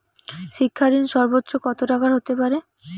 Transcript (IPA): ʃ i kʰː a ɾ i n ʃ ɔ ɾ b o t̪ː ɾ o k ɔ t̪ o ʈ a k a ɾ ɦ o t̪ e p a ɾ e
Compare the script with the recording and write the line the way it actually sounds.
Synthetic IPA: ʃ i kʰː a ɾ i n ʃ ɔ ɾ b o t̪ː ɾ o k ɔ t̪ o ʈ a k a ɾ ɦ o t̪ e p a ɾ e